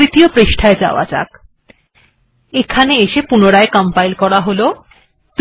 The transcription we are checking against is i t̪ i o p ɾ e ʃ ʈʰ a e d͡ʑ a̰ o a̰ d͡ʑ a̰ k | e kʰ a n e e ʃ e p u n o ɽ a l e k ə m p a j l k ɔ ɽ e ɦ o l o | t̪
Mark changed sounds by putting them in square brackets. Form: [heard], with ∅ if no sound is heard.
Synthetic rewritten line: i t̪ i o p ɾ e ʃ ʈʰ a e d͡ʑ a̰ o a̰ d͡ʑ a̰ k | e kʰ a n e e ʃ e p u n o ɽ a [∅] e k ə m p a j l k ɔ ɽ [a] ɦ o l o | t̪